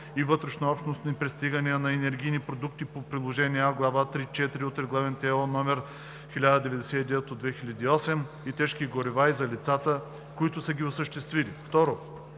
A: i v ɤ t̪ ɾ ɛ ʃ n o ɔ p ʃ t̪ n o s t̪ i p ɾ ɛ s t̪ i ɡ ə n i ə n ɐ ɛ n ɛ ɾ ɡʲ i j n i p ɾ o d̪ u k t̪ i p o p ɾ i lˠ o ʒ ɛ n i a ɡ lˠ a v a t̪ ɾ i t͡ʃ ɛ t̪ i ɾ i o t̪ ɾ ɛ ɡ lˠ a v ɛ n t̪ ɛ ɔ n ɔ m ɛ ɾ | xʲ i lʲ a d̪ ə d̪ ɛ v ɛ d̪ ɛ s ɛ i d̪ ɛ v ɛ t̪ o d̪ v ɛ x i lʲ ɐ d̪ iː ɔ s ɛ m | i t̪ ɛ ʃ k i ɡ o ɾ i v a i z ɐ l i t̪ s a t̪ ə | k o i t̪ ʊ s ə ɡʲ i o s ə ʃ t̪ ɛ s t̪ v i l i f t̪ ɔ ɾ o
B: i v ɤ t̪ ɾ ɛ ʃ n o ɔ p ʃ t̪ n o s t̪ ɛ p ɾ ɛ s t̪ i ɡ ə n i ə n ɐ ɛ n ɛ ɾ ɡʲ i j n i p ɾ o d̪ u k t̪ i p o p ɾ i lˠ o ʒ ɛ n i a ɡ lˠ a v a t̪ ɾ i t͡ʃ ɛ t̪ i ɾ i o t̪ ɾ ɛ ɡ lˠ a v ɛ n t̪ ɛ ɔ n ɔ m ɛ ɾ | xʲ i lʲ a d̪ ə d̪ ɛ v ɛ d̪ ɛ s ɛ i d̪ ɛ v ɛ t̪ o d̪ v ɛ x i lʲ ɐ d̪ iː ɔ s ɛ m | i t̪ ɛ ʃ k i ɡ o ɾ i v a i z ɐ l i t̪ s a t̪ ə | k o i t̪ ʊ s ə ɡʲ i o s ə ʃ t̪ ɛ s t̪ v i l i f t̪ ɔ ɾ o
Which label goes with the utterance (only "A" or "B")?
A